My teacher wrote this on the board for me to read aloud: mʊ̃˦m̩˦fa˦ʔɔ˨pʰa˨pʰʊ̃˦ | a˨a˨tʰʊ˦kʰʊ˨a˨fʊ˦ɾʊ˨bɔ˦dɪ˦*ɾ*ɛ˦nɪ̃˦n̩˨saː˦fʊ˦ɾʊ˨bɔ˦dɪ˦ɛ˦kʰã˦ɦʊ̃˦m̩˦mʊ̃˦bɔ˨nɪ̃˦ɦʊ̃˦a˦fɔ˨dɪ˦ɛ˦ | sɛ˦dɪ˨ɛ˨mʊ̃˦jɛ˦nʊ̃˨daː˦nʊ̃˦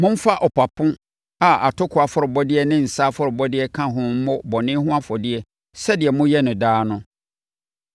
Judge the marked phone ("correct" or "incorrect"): incorrect